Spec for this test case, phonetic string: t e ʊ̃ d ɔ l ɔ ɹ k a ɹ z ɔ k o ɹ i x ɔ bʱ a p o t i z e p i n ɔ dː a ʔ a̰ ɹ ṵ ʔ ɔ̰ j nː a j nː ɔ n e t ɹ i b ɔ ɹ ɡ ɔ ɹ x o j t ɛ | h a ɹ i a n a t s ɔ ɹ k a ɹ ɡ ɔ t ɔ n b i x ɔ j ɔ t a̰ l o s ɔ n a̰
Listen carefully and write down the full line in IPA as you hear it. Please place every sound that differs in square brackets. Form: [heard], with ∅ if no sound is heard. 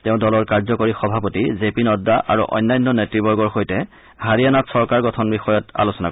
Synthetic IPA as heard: t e ʊ̃ d ɔ l ɔ ɹ k a ɹ z ɔ k o ɹ i x ɔ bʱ a p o t i z e p i n ɔ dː a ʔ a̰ ɹ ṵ ʔ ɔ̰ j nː a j nː ɔ n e t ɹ i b ɔ ɹ ɡ ɔ ɹ x o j t ɛ | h a ɹ i a n a t s ɔ ɹ k a ɹ ɡ ɔ [tʰ] ɔ n b i x ɔ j ɔ t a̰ l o s ɔ n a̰